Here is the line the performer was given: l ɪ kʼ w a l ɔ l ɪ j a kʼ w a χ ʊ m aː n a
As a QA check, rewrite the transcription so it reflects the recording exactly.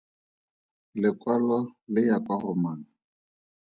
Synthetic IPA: l ɪ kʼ w a l ɔ l ɪ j a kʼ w a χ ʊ m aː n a

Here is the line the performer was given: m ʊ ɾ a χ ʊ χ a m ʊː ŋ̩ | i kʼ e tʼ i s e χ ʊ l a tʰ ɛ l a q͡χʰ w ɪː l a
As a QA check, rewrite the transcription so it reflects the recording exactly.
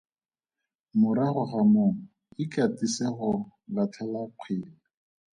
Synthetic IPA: m ʊ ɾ a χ ʊ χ a m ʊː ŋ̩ | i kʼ a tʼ i s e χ ʊ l a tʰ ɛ l a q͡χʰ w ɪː l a

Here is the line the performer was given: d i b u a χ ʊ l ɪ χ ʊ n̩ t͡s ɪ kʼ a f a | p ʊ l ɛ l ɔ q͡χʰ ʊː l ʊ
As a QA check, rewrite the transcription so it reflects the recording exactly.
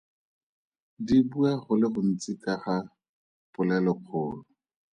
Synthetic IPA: d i b u a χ ʊ l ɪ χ ʊ n̩ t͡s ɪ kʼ a χ a | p ʊ l ɛ l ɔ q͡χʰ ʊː l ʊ

